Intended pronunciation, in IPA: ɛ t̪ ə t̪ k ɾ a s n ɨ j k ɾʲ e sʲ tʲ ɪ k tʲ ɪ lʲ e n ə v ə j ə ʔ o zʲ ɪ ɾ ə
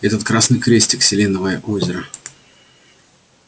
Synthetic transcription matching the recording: ɛ t̪ ə t̪ k ɾ a s n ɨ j k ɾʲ e sʲ tʲ ɪ k sʲ ɪ lʲ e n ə v ə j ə ʔ o zʲ ɪ ɾ ə